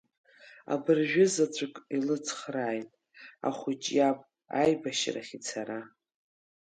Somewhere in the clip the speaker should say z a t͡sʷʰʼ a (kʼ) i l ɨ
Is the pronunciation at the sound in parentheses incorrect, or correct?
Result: correct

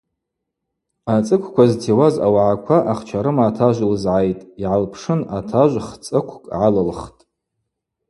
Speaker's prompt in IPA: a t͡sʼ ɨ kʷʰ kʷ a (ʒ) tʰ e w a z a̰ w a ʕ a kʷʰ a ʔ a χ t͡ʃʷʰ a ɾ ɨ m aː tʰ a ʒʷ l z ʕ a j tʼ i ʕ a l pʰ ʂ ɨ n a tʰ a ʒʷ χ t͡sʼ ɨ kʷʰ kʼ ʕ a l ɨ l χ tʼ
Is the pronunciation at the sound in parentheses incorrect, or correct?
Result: incorrect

